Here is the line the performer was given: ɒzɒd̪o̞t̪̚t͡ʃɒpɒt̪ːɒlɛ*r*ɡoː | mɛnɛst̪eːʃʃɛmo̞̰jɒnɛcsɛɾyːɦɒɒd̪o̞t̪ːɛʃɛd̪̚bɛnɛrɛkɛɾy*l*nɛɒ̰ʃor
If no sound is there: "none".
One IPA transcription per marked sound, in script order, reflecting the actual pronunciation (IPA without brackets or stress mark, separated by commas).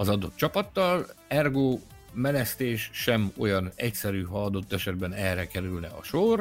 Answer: r, l